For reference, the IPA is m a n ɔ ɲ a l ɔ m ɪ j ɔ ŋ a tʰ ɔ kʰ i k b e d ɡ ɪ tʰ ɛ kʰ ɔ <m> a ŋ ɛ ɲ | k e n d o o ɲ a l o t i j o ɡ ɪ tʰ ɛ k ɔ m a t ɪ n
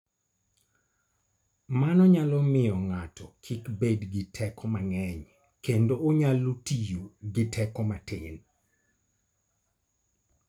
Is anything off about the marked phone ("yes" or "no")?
no